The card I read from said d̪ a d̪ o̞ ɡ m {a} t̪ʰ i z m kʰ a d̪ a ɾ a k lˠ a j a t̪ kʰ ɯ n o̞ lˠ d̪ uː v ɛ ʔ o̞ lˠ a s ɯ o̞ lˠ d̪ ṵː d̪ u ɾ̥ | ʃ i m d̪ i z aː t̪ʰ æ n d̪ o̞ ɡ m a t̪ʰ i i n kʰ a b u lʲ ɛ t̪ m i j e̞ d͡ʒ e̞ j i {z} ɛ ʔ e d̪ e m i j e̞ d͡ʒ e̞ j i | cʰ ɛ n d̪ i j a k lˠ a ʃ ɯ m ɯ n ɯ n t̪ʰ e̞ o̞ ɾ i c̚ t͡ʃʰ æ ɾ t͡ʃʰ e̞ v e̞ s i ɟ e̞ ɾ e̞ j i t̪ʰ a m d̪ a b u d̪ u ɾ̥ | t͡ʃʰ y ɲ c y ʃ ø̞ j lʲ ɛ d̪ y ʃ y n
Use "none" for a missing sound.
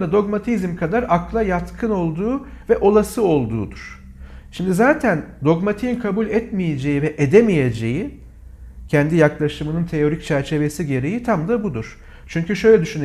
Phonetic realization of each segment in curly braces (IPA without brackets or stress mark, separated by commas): a, v